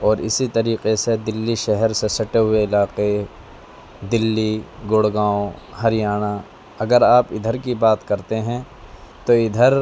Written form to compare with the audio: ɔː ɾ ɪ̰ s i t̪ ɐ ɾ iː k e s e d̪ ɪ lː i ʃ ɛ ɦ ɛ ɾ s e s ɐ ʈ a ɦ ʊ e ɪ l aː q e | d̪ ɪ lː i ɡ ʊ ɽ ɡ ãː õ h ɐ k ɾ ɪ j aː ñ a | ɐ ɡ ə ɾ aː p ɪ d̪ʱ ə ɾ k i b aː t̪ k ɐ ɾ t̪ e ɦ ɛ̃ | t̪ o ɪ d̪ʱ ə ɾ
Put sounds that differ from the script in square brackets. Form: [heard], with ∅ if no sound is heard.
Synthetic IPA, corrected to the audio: ɔː ɾ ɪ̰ s i t̪ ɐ ɾ iː [q] e s e d̪ ɪ lː i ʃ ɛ ɦ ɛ ɾ s e s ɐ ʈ [e] ɦ ʊ e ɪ l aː q e | d̪ ɪ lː i ɡ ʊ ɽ ɡ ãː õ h ɐ [∅] ɾ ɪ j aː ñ a | ɐ ɡ ə ɾ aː p ɪ d̪ʱ ə ɾ k i b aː t̪ k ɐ ɾ t̪ e ɦ ɛ̃ | t̪ o ɪ d̪ʱ ə ɾ